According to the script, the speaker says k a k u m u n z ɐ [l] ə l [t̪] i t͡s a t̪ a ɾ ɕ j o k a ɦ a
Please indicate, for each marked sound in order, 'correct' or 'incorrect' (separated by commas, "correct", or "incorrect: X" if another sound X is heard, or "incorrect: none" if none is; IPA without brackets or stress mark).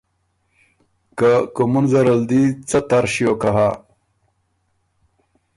incorrect: ɾ, incorrect: d̪